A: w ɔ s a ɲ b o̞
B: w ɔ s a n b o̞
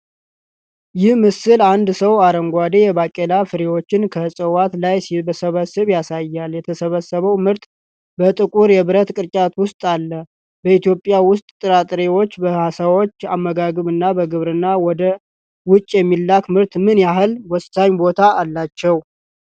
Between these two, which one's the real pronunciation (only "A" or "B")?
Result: A